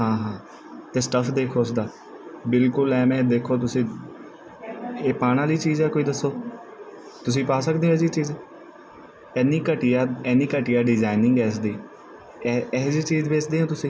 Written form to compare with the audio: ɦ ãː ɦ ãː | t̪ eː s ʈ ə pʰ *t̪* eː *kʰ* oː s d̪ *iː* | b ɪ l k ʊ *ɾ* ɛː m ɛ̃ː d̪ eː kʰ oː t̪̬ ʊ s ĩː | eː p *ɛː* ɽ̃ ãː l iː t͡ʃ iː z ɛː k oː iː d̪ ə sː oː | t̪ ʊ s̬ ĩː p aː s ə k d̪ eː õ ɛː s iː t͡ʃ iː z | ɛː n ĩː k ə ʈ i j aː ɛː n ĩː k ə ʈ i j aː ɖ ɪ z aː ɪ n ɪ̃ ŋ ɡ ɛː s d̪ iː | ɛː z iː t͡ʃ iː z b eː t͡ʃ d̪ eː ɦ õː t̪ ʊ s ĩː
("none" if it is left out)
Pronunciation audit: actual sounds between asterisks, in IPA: d̪, kʰ, aː, l, aː

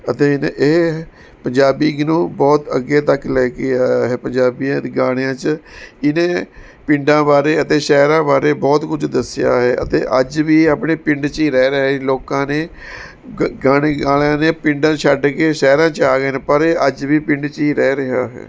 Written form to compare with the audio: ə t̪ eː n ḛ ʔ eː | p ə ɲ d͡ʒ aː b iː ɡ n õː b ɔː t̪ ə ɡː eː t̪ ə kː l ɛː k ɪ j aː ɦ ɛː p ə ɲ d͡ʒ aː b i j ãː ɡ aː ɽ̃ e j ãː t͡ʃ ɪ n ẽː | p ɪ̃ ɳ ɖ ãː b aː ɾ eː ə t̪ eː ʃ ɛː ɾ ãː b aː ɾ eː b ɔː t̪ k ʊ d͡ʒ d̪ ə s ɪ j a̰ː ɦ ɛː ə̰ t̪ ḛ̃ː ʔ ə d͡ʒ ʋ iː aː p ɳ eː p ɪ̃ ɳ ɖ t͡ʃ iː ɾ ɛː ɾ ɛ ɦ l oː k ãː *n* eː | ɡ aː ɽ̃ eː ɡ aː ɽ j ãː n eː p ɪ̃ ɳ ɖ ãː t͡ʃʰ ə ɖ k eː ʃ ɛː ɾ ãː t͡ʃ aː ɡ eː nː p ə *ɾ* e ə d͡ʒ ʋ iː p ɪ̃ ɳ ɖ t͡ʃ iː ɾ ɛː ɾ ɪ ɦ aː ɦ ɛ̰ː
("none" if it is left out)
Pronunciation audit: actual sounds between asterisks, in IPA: n, ɾ

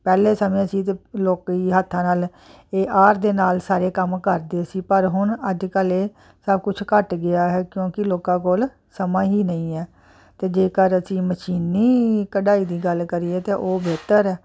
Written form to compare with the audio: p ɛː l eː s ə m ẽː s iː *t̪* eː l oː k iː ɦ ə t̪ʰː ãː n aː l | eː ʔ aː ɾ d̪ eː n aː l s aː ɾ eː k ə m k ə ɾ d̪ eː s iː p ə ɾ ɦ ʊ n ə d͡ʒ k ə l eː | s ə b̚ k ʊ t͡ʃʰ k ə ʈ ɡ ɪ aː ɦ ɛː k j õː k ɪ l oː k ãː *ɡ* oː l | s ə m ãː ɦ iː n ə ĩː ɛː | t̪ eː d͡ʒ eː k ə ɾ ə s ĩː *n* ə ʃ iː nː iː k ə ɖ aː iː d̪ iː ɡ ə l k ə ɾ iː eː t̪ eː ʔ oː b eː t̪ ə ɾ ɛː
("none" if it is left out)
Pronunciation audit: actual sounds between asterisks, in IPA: t̪, k, m

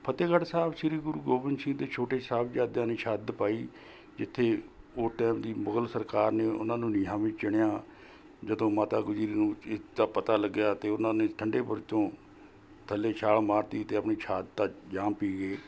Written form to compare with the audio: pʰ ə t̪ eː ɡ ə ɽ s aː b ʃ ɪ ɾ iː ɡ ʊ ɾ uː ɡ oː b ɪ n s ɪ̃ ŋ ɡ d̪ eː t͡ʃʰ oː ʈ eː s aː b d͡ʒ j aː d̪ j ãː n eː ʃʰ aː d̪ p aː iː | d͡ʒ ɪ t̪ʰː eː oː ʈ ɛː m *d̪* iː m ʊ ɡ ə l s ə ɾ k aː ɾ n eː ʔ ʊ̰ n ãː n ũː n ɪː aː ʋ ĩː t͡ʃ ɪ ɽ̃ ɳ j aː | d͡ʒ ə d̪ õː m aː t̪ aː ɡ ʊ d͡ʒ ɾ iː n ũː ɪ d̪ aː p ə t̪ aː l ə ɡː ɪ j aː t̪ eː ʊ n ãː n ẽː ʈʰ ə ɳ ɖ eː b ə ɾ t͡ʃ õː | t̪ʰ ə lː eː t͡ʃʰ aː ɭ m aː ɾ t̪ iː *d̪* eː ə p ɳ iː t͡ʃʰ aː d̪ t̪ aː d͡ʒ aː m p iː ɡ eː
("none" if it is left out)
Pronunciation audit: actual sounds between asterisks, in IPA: d̪, t̪

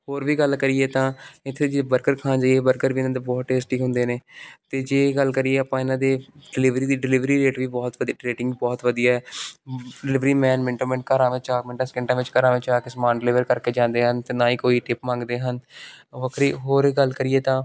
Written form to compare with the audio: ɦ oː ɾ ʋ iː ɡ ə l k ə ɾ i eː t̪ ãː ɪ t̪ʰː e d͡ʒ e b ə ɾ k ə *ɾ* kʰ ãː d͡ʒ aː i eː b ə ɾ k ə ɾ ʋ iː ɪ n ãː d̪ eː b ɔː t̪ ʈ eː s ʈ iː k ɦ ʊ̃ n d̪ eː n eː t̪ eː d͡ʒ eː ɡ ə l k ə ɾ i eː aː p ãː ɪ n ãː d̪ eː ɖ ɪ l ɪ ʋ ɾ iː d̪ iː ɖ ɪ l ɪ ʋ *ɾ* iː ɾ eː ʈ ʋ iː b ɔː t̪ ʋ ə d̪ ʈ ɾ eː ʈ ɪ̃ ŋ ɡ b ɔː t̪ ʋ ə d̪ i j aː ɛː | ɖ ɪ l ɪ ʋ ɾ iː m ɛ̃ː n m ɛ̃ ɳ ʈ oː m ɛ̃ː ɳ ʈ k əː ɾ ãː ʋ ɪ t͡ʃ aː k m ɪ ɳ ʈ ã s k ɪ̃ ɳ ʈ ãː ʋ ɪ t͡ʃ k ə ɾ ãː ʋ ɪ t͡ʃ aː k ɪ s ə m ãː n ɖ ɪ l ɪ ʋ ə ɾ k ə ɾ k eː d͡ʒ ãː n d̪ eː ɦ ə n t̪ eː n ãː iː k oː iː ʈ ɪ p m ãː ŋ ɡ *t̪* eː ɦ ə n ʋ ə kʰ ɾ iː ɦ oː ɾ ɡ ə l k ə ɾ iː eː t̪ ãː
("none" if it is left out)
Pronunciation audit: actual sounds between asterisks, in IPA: ɾ, ɾ, d̪

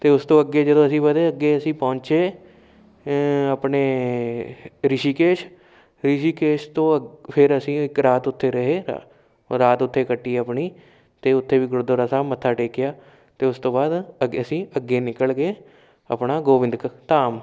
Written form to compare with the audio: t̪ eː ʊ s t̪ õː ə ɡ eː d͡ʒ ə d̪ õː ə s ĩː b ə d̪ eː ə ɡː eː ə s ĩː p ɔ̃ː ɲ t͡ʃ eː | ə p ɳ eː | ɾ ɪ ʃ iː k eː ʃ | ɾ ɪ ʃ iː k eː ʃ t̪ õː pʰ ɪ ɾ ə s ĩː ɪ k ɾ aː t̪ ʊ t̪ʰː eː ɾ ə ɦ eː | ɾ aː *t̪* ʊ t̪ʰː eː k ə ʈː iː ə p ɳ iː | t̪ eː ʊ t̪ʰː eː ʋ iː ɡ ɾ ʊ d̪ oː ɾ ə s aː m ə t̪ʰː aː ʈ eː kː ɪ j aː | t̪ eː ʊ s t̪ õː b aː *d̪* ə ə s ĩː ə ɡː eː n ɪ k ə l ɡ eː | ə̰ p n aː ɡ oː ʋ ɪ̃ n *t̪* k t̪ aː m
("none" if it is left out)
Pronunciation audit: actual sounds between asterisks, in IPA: t̪, d̪, d̪

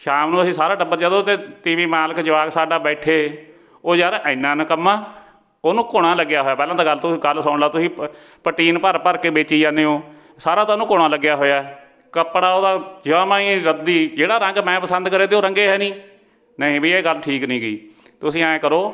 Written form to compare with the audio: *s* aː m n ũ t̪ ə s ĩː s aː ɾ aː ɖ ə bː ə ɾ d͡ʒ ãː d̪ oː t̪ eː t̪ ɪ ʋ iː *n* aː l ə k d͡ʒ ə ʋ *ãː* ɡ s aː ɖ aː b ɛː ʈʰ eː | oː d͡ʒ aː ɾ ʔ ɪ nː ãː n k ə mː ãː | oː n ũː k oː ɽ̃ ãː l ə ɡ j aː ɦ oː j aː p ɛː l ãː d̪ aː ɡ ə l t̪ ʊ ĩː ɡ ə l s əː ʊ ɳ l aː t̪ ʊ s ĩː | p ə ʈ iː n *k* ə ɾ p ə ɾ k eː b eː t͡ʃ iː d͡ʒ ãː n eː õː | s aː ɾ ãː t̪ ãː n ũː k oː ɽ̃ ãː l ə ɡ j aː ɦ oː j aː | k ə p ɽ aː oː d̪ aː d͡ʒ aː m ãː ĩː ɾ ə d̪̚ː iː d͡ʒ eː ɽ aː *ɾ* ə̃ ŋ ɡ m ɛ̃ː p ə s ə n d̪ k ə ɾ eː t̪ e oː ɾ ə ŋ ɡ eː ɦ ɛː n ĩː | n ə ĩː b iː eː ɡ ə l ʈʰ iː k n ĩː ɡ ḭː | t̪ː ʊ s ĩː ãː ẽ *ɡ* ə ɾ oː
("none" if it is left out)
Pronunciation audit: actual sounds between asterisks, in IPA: ʃ, m, aː, p, ɾ, k

